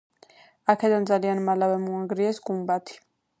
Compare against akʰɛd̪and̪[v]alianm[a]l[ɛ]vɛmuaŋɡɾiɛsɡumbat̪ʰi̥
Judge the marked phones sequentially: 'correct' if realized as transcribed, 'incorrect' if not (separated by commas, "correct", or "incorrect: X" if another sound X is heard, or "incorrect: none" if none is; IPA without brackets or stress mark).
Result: incorrect: z, correct, incorrect: a